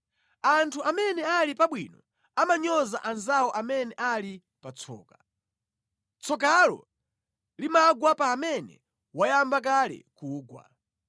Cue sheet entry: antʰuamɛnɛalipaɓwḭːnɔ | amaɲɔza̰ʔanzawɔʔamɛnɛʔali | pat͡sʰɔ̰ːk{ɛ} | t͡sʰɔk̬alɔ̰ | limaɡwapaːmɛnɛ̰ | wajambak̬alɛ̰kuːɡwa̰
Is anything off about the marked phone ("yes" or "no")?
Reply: yes